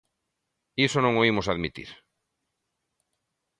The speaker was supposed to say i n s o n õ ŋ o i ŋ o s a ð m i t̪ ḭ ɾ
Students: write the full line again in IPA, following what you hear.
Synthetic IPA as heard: i s o n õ ŋ o i m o s a ð m i t̪ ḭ ɾ